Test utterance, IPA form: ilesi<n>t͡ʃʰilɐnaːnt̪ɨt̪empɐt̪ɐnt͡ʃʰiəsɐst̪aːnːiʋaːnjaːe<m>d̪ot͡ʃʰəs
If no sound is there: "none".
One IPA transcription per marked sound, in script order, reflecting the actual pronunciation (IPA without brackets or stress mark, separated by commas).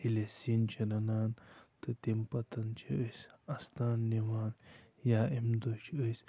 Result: n, m